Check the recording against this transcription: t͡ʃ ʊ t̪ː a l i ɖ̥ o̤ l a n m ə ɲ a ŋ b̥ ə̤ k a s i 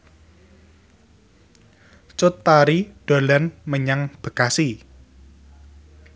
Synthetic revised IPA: t͡ʃ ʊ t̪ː a ɾ i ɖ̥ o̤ l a n m ə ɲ a ŋ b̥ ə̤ k a s i